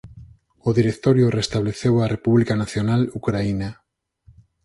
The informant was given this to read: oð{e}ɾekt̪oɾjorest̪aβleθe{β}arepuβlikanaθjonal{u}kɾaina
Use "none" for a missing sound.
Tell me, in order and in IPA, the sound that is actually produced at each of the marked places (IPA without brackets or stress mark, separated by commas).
i, w, u